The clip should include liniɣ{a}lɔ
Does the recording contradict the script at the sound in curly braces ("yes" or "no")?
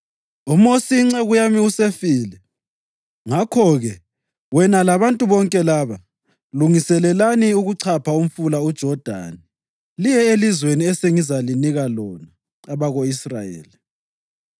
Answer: no